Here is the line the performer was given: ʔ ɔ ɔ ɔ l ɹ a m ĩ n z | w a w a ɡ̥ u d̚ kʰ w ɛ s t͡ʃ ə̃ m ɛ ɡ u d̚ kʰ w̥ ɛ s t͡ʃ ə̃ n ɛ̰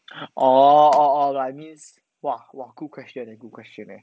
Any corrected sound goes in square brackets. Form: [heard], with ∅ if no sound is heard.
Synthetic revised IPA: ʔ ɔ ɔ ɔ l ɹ a m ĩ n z | w a w a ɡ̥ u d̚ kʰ w ɛ s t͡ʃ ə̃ [n] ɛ ɡ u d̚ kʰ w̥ ɛ s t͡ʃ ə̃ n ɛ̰